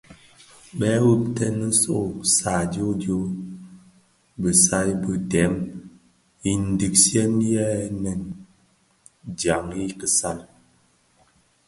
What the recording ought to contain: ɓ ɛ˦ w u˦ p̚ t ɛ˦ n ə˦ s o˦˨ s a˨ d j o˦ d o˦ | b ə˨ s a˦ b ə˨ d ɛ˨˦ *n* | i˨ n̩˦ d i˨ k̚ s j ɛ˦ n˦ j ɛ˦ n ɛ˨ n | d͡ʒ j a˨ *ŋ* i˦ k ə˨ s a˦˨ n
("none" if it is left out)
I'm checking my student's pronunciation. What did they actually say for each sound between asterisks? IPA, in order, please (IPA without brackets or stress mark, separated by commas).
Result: m, ŋ